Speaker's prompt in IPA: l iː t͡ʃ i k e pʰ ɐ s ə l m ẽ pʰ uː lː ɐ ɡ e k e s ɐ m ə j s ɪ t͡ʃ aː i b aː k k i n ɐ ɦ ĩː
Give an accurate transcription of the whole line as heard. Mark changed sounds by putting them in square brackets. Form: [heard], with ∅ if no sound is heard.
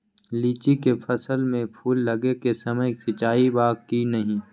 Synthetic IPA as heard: l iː t͡ʃ i k e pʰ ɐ s ə l m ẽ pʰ uː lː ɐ ɡ e k e s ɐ m ə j s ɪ t͡ʃ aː i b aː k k i n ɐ ɦ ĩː